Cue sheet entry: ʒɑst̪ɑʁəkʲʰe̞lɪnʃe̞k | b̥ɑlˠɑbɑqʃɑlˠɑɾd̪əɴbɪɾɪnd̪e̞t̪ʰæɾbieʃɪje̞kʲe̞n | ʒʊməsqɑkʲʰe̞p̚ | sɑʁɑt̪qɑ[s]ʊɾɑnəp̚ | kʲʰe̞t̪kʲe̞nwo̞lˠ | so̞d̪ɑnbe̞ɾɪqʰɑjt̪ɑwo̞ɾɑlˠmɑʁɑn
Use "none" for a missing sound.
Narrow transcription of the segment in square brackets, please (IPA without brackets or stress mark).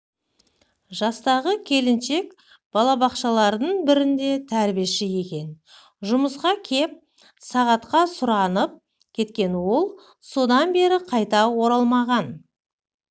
s